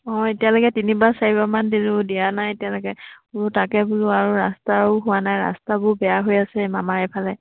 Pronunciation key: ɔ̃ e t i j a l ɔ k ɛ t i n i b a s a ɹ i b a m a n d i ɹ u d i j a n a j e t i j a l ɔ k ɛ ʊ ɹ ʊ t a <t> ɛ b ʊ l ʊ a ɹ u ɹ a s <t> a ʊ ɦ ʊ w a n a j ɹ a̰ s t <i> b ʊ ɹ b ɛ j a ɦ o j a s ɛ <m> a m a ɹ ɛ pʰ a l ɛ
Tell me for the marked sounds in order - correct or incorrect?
incorrect, correct, incorrect, correct

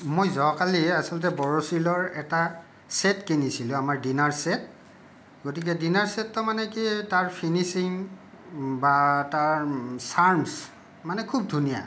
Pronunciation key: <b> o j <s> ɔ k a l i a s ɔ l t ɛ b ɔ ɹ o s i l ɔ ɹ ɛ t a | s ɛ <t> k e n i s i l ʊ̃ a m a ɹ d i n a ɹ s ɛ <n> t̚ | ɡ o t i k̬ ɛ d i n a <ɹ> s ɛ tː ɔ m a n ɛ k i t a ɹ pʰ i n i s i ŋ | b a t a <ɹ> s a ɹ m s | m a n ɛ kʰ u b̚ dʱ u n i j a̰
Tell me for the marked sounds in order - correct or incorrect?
incorrect, incorrect, correct, incorrect, correct, correct

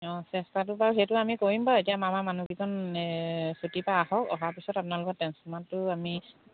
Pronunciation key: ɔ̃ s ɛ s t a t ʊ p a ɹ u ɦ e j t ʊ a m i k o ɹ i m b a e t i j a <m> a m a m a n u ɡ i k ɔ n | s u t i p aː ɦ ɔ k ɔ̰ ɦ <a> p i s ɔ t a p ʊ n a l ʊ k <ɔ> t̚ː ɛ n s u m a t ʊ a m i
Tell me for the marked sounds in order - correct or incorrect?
correct, correct, correct

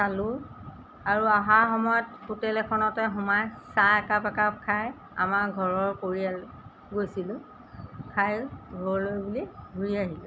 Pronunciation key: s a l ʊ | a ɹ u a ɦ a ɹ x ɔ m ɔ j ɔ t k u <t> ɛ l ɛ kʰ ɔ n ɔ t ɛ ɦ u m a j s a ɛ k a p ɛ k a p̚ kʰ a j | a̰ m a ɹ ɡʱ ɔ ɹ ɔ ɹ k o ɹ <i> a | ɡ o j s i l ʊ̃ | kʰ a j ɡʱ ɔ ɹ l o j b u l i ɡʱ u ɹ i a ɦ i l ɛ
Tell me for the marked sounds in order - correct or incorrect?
correct, correct

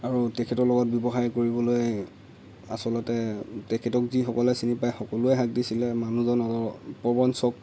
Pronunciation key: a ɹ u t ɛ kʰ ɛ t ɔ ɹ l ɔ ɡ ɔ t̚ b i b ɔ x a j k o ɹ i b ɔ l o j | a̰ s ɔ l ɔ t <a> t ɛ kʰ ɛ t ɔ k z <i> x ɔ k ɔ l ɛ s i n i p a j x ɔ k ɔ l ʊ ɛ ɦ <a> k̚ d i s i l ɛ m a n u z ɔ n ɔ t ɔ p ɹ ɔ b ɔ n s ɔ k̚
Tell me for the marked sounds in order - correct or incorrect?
incorrect, correct, correct

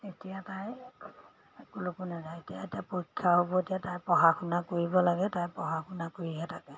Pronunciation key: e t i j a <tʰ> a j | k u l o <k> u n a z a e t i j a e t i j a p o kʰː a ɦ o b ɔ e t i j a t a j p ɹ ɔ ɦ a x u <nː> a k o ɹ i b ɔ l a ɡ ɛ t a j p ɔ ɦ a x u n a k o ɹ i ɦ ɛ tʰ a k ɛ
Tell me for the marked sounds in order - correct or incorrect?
incorrect, correct, incorrect

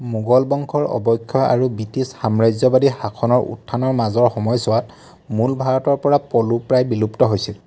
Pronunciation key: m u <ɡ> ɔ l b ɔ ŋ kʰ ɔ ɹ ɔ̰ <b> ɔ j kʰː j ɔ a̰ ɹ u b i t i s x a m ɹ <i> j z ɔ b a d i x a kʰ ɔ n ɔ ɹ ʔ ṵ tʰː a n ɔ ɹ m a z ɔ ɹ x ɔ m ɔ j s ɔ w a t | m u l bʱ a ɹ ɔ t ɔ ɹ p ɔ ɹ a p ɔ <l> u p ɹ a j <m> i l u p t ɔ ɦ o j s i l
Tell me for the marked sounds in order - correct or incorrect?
correct, correct, incorrect, correct, incorrect

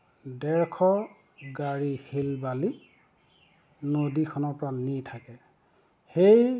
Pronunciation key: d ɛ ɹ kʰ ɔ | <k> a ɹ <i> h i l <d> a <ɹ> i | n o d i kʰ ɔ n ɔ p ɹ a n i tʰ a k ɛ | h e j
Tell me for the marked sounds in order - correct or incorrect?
incorrect, correct, incorrect, incorrect

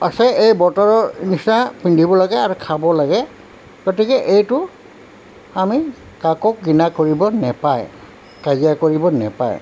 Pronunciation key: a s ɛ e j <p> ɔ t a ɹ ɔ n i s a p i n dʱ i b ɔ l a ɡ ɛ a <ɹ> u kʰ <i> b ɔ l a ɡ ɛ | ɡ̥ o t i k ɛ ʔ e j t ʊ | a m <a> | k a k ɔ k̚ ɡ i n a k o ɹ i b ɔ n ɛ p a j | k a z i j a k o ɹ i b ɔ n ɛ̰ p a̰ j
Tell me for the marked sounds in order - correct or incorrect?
incorrect, correct, incorrect, incorrect

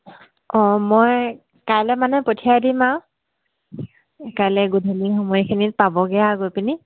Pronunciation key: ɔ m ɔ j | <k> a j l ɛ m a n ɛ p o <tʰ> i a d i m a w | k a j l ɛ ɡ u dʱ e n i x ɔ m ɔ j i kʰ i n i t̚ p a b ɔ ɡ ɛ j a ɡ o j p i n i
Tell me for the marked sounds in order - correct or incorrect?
correct, correct

